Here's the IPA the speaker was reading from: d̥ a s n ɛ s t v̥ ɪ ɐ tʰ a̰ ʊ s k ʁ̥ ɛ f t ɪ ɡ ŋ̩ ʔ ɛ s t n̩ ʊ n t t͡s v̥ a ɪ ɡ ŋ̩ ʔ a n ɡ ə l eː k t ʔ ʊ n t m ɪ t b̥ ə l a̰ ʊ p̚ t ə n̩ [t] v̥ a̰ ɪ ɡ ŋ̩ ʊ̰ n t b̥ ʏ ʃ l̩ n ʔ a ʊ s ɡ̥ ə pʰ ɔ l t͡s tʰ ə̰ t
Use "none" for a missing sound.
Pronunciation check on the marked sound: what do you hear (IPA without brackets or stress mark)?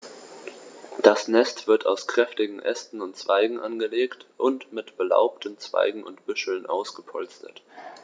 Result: t͡s